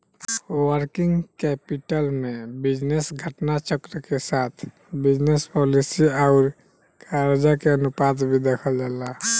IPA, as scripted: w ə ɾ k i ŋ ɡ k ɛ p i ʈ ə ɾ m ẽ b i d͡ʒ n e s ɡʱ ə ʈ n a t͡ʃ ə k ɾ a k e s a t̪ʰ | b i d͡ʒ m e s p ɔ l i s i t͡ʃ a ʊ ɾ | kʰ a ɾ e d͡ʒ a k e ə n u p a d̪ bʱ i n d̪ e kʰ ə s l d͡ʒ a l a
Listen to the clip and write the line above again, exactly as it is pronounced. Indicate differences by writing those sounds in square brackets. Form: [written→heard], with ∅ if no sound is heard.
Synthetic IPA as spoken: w ə ɾ k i ŋ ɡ k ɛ p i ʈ ə [ɾ→l] m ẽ b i d͡ʒ n e s ɡʱ ə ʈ n a t͡ʃ ə k ɾ [a→ə] k e s a t̪ʰ | b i d͡ʒ [m→n] e s p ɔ l i s i [t͡ʃ→∅] a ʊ ɾ | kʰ a ɾ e d͡ʒ a k e ə n u p a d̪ bʱ i [n→∅] d̪ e kʰ ə [s→∅] l d͡ʒ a l a